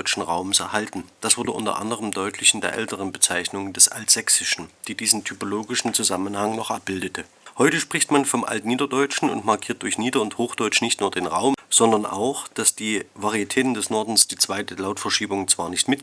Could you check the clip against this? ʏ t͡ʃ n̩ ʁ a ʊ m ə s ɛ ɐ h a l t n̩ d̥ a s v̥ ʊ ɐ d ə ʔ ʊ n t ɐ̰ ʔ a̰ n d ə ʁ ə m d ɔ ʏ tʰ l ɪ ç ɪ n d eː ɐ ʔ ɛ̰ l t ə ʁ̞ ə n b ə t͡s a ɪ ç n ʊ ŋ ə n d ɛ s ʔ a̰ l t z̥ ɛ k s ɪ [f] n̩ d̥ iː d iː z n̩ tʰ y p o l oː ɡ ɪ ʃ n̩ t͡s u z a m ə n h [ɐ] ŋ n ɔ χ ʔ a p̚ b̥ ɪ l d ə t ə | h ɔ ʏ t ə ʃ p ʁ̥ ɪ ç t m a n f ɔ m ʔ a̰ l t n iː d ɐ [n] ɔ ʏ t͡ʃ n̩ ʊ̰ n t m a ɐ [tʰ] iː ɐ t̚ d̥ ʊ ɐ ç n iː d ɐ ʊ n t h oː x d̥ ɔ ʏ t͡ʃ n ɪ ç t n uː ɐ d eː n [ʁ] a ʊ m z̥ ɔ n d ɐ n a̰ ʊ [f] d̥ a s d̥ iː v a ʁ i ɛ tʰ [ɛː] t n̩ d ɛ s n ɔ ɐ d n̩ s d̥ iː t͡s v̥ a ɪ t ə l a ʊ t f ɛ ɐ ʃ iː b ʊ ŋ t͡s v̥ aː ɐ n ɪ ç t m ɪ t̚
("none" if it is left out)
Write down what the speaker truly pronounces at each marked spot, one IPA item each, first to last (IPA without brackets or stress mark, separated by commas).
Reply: ʃ, a, d, kʰ, ʁ, x, ɛː